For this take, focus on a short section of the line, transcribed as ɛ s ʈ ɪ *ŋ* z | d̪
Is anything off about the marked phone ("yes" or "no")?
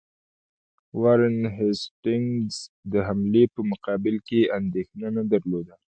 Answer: no